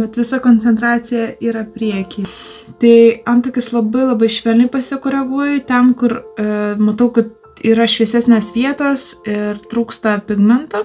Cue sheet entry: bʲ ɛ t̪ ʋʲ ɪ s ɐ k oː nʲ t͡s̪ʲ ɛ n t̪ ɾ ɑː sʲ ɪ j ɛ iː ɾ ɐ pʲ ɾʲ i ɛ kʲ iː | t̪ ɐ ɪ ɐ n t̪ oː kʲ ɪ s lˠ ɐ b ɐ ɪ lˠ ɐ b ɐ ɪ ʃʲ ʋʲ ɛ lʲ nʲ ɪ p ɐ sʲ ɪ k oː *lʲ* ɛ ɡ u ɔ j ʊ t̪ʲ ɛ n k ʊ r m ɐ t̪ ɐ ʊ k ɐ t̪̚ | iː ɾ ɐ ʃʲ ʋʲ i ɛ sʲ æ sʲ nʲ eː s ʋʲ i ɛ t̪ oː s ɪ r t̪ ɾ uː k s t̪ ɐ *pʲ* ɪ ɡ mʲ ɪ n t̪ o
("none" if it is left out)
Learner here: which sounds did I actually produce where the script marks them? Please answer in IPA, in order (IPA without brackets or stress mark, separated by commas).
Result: ɾʲ, pʲ